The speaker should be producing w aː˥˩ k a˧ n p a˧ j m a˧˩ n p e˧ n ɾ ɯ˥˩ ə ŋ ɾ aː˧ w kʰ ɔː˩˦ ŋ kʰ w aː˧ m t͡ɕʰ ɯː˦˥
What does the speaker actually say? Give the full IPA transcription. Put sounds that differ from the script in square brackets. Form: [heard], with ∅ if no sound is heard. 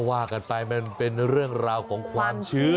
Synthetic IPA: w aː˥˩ k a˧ n p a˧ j m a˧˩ n p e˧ n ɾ ɯ˥˩ ə ŋ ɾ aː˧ w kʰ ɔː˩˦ ŋ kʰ w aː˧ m t͡ɕʰ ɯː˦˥

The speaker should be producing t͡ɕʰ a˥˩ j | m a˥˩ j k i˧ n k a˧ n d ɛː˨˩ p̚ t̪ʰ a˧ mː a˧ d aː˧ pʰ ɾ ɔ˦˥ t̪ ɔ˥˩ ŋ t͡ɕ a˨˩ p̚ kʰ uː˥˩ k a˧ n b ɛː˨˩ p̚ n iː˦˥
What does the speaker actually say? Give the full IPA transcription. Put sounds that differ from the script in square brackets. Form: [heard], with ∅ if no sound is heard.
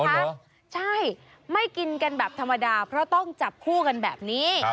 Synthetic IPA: t͡ɕʰ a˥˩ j | m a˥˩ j k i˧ n k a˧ n [b] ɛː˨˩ p̚ t̪ʰ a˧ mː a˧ d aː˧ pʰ ɾ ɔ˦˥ t̪ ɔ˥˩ ŋ t͡ɕ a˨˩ p̚ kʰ uː˥˩ k a˧ n b ɛː˨˩ p̚ n iː˦˥

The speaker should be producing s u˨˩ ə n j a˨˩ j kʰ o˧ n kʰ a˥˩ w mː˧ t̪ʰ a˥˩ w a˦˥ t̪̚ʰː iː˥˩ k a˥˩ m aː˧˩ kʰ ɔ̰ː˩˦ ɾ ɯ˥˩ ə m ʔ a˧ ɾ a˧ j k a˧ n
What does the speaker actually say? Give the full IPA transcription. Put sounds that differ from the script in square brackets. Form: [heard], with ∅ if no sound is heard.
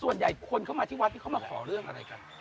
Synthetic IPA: s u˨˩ ə n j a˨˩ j kʰ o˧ n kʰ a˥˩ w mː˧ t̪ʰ [i˥˩] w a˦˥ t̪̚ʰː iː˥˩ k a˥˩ m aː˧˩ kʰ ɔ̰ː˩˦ ɾ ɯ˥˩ ə [ŋ] ʔ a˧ ɾ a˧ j k a˧ n

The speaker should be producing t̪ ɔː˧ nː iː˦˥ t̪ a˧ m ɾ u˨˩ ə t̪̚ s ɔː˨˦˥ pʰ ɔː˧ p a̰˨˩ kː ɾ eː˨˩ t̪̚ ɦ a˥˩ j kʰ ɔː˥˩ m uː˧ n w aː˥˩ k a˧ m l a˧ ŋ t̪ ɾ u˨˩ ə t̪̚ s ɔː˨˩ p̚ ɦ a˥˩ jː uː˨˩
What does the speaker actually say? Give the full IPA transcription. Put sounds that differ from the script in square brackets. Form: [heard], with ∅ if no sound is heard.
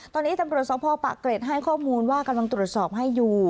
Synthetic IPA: t̪ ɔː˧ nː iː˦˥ t̪ a˧ m ɾ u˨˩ ə t̪̚ s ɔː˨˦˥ pʰ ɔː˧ p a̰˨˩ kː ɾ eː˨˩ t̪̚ ɦ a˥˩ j kʰ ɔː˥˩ m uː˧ n w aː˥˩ k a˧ m l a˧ ŋ t̪ ɾ u˨˩ ə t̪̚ s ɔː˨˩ p̚ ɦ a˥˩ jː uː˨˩

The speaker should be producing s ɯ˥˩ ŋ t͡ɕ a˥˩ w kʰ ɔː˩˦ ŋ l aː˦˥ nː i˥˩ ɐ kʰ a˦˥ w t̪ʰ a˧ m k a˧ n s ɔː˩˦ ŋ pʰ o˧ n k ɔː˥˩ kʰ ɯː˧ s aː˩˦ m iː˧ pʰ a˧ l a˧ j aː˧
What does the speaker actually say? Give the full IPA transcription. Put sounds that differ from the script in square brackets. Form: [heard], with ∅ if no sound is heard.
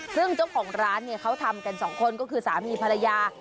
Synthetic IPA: s ɯ˥˩ ŋ t͡ɕ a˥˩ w kʰ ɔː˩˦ ŋ [ɾ] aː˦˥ nː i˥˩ ɐ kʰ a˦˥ w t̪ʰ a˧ m k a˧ n s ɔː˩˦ ŋ [kʰ] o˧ n k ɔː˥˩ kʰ ɯː˧ s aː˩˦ m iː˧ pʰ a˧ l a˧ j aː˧

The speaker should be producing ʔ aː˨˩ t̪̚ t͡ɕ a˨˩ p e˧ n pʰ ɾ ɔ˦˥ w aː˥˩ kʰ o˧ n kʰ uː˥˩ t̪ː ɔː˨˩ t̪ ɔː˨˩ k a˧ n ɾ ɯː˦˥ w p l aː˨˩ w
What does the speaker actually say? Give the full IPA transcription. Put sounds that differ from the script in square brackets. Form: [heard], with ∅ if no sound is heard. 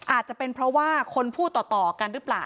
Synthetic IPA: ʔ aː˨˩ t̪̚ t͡ɕ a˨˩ p e˧ n pʰ ɾ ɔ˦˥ w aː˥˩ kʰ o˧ n [pʰ] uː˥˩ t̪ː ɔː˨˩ t̪ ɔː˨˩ k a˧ n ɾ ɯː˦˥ [∅] p l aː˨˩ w

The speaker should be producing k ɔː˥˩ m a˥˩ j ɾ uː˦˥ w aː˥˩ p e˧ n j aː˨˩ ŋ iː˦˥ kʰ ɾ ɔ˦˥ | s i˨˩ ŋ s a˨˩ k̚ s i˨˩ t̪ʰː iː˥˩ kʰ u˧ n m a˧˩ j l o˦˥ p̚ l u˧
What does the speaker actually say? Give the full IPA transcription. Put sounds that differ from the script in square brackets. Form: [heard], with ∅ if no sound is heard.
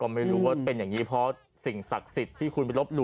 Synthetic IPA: k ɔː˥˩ m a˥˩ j ɾ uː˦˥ w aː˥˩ p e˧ n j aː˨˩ ŋ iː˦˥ [pʰ] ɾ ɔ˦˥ | s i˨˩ ŋ s a˨˩ k̚ s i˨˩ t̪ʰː iː˥˩ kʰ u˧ n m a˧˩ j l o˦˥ p̚ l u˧

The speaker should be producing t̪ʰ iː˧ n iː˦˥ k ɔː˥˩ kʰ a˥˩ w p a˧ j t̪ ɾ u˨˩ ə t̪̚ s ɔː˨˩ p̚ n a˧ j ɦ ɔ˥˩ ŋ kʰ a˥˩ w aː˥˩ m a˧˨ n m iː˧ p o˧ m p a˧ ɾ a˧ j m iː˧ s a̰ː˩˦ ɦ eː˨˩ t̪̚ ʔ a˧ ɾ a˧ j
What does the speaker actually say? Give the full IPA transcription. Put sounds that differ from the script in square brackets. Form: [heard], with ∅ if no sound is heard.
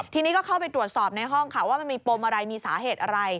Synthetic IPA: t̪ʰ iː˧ n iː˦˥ k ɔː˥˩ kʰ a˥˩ w p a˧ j t̪ ɾ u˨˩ ə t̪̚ s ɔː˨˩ p̚ n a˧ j ɦ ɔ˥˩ ŋ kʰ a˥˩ w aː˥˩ m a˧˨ n m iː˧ p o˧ m [ʔ] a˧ ɾ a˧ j m iː˧ s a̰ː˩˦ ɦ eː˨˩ t̪̚ ʔ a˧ ɾ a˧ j

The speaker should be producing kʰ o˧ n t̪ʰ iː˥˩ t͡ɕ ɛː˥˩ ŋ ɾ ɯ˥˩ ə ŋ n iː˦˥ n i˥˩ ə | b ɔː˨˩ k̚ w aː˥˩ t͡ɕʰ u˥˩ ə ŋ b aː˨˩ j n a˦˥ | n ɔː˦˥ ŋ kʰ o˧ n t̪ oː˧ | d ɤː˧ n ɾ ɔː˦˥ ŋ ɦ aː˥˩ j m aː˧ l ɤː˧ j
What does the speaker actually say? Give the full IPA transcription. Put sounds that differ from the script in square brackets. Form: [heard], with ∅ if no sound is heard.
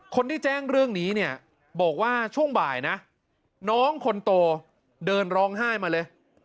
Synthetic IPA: kʰ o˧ n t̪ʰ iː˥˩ t͡ɕ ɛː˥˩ ŋ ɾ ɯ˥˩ ə ŋ n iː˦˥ n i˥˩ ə | b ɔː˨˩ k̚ w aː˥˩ t͡ɕʰ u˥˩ ə ŋ b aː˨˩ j n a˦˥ | n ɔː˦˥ ŋ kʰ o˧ n t̪ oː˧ | d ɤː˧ n ɾ ɔː˦˥ ŋ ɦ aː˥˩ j m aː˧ l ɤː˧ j

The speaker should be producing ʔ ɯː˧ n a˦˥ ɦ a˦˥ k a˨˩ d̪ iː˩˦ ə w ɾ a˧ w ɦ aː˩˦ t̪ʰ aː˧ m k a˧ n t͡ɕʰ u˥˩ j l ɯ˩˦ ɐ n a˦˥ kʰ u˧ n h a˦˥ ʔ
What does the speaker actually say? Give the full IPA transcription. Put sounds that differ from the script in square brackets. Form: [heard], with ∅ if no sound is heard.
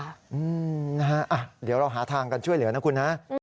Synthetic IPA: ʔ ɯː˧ n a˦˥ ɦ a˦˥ [ʔ] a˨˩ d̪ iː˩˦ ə w ɾ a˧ w ɦ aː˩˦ t̪ʰ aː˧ [ŋ] k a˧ n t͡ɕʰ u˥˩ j l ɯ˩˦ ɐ n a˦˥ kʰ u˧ n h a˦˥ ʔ

